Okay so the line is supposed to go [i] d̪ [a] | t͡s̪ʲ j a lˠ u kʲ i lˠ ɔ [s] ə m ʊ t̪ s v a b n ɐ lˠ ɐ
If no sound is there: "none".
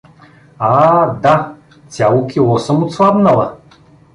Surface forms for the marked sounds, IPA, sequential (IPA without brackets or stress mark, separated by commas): a, a, s